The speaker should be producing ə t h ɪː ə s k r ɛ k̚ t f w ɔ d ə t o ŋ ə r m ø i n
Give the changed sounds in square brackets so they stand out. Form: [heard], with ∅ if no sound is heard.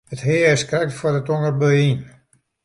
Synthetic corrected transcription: ə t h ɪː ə s k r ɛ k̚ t f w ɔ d ə t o ŋ ə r [b] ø i n

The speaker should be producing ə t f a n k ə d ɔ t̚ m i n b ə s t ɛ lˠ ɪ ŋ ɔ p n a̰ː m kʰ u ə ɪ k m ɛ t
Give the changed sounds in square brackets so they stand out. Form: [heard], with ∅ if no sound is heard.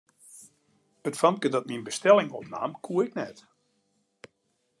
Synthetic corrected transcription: ə t f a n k ə d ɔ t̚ m i n b ə s t ɛ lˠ ɪ ŋ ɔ p n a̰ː m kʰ u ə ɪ k [n] ɛ t

